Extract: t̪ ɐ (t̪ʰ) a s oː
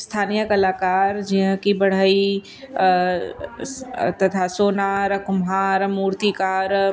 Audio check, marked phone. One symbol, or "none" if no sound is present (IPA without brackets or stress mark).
t̪ʰ